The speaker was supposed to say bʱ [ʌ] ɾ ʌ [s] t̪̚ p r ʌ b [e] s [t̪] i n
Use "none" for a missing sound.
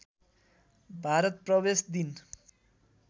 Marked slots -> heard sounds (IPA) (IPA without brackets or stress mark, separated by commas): a, none, e, d̪